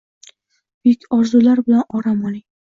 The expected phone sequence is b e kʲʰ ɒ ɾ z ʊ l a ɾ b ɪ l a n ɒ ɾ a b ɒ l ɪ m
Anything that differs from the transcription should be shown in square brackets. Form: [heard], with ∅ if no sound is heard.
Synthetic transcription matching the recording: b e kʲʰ ɒ ɾ z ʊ l a ɾ b ɪ l a n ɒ ɾ a [m] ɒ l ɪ [ŋ]